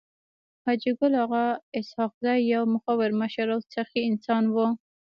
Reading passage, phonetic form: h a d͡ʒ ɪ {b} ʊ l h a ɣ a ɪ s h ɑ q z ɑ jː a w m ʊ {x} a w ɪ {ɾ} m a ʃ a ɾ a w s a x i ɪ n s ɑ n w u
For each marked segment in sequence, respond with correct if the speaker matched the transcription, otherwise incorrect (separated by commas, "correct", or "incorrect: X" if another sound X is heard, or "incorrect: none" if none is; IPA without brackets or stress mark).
incorrect: ɡ, correct, correct